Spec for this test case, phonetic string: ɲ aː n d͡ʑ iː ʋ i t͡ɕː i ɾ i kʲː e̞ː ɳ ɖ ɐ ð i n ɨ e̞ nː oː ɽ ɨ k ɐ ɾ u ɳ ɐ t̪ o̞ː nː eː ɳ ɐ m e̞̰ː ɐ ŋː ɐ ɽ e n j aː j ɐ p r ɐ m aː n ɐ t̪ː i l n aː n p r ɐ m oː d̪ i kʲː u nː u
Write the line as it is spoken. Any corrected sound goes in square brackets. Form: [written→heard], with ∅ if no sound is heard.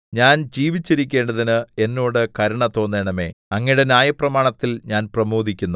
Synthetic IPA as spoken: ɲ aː n d͡ʑ iː ʋ i t͡ɕː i ɾ i kʲː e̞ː ɳ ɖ ɐ ð i n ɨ e̞ nː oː ɽ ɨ k ɐ ɾ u ɳ ɐ t̪ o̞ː nː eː ɳ ɐ m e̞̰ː ɐ ŋː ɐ ɽ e n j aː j ɐ p r ɐ m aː [n→ɳ] ɐ t̪ː i l [n→ɲ] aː n p r ɐ m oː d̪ i kʲː u nː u